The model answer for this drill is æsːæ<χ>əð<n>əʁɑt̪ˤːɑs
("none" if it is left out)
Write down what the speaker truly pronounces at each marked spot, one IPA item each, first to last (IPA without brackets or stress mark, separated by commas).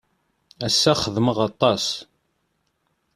χ, m